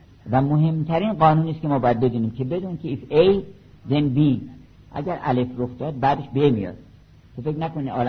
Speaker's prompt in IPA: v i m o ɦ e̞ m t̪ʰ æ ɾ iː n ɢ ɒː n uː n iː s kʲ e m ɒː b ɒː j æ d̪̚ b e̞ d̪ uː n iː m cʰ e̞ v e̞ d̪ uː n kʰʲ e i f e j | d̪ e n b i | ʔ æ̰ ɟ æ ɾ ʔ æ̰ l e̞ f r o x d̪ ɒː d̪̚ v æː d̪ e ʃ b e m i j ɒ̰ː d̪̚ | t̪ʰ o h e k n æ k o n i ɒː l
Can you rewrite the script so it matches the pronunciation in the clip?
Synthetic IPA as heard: v æ m o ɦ e̞ m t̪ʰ æ ɾ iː n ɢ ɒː n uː n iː s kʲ e m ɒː b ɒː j æ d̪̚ b e̞ d̪ uː n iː m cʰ e̞ b e̞ d̪ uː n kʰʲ e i f e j | d̪ e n b i | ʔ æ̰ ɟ æ ɾ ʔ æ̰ l e̞ f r o x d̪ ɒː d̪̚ b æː d̪ e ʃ b e m i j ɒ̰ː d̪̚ | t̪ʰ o f e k n æ k o n i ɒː l